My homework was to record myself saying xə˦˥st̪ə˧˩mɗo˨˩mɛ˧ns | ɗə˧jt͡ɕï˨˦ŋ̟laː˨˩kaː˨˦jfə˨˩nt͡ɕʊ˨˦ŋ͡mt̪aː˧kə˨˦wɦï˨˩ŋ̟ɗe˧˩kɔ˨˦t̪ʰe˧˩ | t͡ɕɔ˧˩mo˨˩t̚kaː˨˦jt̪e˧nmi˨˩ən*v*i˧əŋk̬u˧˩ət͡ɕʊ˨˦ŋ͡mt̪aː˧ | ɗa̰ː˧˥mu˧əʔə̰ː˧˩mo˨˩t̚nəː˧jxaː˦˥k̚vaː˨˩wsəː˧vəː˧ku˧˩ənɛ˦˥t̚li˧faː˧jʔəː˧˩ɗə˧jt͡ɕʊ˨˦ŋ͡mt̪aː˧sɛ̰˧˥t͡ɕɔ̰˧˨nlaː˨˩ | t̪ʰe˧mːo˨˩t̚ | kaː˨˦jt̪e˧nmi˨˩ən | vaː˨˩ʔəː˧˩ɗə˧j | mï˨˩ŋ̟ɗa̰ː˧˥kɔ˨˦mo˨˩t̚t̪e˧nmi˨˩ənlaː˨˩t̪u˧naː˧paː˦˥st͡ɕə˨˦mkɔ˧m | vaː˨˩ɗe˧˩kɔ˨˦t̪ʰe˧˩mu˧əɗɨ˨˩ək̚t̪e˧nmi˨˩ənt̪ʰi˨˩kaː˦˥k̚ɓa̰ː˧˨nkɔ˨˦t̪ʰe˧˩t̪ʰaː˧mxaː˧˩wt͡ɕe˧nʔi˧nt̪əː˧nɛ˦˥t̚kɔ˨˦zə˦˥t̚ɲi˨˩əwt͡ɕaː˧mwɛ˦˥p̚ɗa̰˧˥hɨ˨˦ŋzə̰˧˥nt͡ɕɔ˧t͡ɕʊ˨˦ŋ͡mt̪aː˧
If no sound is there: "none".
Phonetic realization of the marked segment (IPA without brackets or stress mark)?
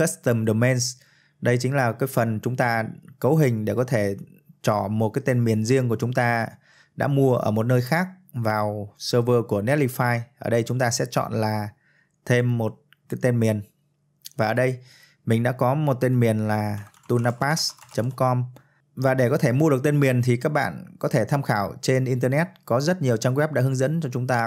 z